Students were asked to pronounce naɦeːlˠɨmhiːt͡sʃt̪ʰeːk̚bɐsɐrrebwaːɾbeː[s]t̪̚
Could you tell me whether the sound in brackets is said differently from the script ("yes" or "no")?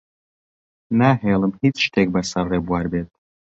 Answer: yes